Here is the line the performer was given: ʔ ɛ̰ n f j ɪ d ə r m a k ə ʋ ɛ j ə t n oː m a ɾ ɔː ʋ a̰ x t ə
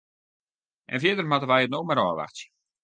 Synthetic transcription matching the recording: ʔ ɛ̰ n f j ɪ d ə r m a t ə ʋ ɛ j ə t n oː m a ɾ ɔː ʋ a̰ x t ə